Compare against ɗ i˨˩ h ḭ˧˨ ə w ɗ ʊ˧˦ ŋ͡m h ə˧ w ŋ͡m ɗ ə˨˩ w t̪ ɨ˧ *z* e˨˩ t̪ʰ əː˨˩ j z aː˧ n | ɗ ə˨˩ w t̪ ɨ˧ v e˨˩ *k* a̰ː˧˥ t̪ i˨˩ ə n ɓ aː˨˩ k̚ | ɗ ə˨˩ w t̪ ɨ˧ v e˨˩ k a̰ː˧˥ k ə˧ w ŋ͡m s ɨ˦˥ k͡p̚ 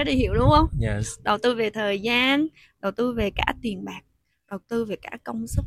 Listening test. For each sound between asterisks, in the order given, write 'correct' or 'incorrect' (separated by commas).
incorrect, correct